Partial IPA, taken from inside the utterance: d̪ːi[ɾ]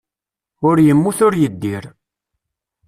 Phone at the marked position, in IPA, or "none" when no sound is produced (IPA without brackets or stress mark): ɾ